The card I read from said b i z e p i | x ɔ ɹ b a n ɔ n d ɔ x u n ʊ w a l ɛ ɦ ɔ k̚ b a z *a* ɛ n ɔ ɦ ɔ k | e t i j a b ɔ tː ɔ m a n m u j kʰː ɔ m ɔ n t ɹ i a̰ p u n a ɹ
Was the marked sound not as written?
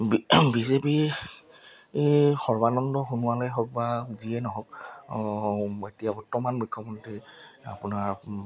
yes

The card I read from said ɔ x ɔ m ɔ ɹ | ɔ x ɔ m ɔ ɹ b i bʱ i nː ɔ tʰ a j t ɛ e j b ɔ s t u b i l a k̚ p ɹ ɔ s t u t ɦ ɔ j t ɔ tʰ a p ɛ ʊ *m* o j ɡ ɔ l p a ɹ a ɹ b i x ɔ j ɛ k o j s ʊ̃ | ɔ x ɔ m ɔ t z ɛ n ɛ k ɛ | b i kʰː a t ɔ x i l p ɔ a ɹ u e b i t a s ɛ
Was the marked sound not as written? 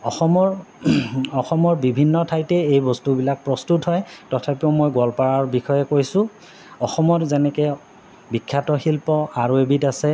no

